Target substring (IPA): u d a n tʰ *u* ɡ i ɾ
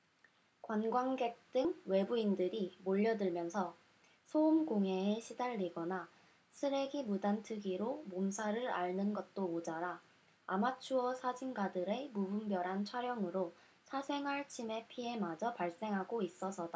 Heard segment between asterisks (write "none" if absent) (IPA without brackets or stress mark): ɯ